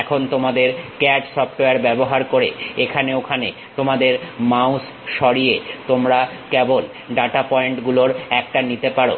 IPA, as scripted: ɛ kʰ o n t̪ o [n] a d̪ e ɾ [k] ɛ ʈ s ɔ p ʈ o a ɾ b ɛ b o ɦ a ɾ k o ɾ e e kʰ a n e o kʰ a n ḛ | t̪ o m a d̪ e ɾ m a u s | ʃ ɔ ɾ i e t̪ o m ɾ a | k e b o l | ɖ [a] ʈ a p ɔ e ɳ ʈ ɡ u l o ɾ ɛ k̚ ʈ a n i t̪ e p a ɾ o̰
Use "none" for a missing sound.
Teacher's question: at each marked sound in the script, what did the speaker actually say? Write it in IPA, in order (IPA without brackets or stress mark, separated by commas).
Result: m, k, a